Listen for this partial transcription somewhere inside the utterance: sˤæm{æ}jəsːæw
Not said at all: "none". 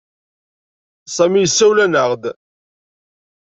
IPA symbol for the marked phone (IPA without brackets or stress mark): i